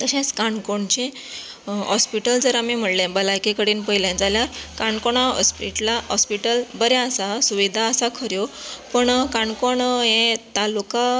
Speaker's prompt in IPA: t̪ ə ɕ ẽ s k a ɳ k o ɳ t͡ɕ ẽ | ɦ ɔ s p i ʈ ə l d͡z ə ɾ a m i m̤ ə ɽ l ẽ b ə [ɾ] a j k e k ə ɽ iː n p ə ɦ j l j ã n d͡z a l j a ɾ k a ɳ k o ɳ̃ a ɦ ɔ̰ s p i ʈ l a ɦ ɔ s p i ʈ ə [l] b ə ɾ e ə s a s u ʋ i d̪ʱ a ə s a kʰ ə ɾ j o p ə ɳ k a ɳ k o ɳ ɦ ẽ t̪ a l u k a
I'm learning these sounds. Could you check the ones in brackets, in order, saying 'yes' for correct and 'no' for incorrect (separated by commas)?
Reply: no, yes